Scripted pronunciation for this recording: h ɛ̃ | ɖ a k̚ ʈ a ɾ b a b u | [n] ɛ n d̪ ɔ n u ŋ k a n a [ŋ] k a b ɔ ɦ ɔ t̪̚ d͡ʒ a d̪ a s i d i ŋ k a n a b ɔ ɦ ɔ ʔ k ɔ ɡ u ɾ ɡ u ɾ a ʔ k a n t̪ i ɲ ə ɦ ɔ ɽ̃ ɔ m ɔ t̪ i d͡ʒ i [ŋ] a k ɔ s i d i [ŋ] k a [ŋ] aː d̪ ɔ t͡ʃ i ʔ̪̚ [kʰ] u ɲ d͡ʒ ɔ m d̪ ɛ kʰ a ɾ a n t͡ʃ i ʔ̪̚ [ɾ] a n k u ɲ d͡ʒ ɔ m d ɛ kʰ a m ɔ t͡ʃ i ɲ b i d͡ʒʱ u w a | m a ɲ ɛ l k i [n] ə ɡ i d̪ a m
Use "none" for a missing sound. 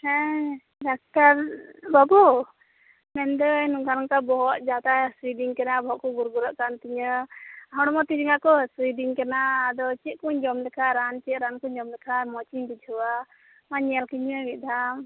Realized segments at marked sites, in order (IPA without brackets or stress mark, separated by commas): m, ŋ, ŋ, ŋ, n, k, ɾ, ɲ